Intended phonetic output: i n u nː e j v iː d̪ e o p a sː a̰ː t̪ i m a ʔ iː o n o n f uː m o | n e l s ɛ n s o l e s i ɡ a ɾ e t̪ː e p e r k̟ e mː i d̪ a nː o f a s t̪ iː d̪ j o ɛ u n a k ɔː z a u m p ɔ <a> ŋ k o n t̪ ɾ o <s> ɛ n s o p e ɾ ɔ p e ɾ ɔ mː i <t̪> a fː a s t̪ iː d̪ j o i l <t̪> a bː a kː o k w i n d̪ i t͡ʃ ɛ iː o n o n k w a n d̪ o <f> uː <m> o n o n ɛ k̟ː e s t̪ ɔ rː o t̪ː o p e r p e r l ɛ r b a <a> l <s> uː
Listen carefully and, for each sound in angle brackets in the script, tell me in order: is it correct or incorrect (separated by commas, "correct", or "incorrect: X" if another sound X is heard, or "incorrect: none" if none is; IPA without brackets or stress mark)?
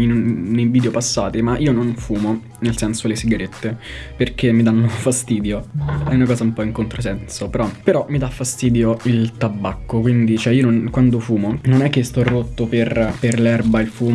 incorrect: i, correct, incorrect: d̪, correct, correct, correct, incorrect: i, incorrect: f